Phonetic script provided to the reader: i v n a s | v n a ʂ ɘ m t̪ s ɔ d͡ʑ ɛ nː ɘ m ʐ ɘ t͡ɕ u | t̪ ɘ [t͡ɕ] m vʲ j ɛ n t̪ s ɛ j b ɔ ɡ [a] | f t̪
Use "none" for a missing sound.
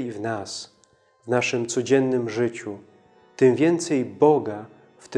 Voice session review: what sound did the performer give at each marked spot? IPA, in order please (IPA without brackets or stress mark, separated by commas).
none, a